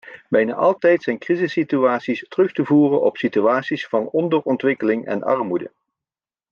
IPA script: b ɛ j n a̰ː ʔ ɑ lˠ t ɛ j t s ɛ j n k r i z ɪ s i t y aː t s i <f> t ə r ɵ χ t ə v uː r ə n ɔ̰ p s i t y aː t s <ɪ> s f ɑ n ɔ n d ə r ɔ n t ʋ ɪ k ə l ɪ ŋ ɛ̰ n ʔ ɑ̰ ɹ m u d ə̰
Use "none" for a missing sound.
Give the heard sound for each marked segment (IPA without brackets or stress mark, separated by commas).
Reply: s, i